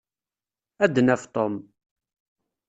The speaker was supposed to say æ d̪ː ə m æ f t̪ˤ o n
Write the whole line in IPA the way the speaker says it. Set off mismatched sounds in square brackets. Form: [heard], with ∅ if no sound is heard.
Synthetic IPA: æ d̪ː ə [n] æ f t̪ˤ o [m]